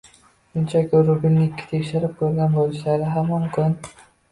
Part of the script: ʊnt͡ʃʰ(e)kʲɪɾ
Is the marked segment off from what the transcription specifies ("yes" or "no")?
yes